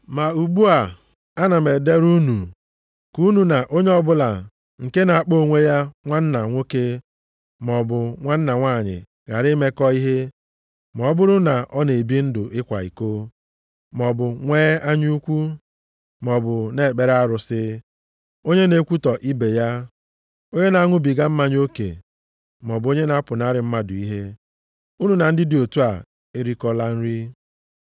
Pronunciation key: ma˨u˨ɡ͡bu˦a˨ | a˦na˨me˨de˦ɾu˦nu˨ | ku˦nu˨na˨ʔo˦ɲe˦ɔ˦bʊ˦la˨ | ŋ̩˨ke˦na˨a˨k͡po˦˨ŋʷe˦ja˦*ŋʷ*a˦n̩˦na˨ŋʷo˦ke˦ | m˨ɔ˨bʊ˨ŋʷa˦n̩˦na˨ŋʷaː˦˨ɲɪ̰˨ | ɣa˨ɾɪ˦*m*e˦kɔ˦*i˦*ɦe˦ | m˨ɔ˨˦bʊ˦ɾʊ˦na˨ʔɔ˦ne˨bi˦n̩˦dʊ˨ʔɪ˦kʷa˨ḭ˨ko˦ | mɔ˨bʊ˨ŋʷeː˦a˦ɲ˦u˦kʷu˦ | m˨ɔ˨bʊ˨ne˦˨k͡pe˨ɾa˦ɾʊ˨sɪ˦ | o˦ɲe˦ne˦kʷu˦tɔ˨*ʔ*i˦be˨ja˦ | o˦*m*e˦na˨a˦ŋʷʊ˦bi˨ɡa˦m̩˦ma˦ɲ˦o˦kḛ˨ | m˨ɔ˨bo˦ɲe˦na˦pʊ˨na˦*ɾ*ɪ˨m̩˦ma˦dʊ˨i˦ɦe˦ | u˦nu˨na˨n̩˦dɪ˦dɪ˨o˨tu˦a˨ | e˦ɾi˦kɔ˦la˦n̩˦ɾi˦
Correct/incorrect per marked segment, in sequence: correct, correct, correct, correct, incorrect: ɲ, correct

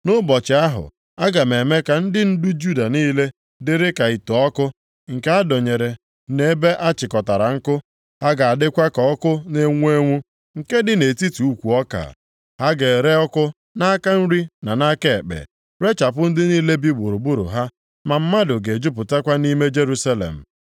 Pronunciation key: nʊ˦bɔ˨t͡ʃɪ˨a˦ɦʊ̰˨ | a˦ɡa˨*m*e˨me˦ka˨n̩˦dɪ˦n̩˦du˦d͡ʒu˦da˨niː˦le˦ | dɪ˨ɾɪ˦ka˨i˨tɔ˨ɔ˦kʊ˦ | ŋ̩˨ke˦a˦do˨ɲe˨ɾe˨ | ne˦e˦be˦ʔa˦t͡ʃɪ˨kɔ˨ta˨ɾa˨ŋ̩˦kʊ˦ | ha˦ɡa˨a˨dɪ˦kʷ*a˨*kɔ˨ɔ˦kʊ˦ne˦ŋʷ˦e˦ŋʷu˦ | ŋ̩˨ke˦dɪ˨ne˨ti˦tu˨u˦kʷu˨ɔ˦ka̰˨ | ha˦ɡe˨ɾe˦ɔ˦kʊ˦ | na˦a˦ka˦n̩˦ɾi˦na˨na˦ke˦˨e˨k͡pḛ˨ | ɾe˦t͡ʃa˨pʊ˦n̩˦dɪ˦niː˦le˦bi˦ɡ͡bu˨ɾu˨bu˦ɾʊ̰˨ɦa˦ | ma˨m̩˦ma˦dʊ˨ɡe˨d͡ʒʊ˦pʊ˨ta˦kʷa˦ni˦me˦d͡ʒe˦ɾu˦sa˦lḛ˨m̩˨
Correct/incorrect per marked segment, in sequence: correct, incorrect: a˦

